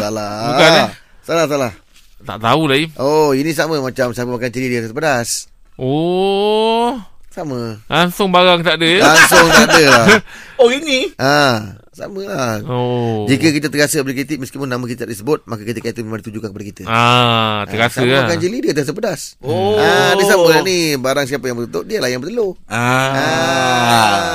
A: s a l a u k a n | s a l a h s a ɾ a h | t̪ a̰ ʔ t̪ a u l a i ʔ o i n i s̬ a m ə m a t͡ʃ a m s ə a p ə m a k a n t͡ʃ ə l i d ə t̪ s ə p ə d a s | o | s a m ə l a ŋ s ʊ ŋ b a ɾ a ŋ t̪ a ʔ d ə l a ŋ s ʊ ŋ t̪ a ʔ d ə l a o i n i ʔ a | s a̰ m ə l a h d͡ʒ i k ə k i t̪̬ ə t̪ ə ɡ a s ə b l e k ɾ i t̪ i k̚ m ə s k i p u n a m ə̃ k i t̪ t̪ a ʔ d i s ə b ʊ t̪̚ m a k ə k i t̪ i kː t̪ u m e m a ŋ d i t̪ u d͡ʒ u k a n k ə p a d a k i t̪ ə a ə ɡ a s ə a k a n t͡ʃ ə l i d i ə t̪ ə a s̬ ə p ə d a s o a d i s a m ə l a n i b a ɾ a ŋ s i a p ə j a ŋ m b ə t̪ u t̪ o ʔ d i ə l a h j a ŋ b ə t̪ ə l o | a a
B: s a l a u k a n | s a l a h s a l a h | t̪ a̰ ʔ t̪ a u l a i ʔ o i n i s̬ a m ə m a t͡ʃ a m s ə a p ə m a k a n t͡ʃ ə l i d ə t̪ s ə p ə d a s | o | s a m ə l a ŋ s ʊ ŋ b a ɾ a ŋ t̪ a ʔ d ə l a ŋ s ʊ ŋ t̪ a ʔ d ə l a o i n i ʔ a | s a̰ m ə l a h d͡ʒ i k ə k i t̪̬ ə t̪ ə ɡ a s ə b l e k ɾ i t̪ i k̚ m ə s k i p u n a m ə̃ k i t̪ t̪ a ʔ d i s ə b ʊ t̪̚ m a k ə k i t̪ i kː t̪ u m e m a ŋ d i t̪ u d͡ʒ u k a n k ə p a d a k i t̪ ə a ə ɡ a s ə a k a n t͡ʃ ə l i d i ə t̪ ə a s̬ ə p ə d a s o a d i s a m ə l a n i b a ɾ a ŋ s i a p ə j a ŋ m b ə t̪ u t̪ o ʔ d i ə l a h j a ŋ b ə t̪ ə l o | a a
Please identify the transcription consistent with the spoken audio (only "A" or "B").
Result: B